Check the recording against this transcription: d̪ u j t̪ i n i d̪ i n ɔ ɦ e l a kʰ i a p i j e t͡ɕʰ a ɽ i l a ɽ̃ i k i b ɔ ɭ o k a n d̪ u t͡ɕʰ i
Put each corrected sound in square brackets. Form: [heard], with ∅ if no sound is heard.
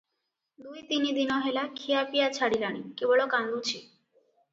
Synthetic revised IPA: d̪ u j t̪ i n i d̪ i n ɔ ɦ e l a kʰ i a p i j [a] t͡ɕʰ a ɽ i l a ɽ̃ i k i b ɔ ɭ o k a n d̪ u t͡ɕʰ i

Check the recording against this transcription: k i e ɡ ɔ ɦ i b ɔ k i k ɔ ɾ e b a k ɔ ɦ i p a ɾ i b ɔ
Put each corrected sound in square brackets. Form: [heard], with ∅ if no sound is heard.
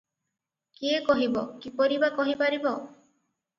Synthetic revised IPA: k i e [k] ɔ ɦ i b ɔ k i [p] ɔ ɾ [i] b a k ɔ ɦ i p a ɾ i b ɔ

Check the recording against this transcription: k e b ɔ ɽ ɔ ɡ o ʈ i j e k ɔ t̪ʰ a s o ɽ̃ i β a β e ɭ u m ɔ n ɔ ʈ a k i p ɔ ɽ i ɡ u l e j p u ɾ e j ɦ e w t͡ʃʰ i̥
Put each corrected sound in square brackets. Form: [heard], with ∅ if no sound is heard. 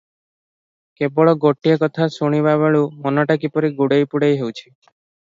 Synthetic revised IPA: k e b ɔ [ɭ] ɔ ɡ o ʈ i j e k ɔ t̪ʰ a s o ɽ̃ i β a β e ɭ u m ɔ n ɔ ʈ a k i p ɔ [ɾ] i ɡ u [ɽ] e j p u [ɽ] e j ɦ e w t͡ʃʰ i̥

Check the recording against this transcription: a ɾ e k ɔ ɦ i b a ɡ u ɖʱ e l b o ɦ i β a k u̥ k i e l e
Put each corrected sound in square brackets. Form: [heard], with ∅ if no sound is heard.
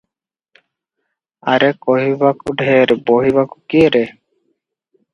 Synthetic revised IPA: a ɾ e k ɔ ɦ i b a [k] u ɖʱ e [ɾ] b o ɦ i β a k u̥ k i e [ɾ] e

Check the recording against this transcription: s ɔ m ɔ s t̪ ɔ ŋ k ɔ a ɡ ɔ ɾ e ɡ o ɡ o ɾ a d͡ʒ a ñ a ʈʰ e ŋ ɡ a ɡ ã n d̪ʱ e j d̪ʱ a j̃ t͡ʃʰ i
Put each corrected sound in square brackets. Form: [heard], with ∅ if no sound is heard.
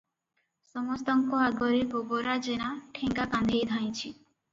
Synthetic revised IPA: s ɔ m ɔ s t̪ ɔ ŋ k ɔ a ɡ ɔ ɾ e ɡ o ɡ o ɾ a d͡ʒ [e] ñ a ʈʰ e ŋ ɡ a [k] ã n d̪ʱ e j d̪ʱ a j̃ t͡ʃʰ i

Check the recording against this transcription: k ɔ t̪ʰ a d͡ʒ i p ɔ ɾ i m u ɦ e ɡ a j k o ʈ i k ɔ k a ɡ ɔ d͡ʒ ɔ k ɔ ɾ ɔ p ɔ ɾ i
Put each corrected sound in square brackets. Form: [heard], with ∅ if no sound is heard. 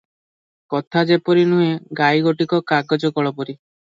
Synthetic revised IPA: k ɔ t̪ʰ a d͡ʒ [e] p ɔ ɾ i [n] u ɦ e ɡ a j [ɡ] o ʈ i k ɔ k a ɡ ɔ d͡ʒ ɔ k ɔ [ɭ] ɔ p ɔ ɾ i

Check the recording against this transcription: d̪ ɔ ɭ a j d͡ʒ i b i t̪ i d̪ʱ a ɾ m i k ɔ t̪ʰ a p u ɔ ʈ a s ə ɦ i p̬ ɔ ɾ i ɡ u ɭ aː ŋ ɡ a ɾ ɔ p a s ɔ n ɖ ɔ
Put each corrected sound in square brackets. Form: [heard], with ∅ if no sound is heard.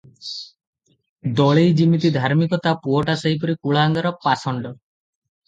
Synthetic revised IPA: d̪ ɔ ɭ [e] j d͡ʒ i [m] i t̪ i d̪ʱ a ɾ m i k ɔ [t̪] a p u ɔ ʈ a s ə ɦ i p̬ ɔ ɾ i [k] u ɭ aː ŋ ɡ a ɾ ɔ p a s ɔ [ɳ] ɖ ɔ

